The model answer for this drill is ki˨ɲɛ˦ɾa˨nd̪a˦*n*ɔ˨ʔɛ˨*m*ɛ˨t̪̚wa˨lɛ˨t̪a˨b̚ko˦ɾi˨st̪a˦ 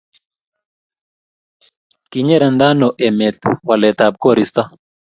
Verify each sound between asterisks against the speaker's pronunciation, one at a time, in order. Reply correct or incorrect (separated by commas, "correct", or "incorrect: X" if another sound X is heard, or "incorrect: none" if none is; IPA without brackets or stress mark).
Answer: correct, correct